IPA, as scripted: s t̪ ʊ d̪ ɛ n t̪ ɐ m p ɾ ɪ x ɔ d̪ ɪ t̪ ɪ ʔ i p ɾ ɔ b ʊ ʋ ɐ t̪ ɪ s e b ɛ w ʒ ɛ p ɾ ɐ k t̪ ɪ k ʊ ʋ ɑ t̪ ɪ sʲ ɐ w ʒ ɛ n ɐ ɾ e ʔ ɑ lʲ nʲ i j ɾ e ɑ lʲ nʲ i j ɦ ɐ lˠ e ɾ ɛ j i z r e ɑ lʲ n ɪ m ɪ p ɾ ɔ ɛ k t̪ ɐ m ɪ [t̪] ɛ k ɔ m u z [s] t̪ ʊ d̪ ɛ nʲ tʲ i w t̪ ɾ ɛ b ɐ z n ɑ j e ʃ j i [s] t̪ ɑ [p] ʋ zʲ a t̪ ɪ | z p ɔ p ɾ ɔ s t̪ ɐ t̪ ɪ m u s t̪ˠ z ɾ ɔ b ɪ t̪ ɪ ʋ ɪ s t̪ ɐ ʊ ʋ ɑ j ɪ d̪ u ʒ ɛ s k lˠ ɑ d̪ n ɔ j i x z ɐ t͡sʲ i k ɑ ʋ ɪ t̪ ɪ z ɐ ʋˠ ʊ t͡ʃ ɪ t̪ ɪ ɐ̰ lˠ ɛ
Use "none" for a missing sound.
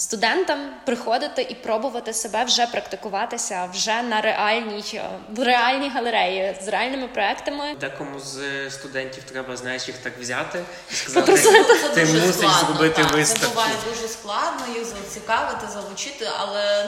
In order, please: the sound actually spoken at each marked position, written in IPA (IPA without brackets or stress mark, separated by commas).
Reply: d̪, s, x, k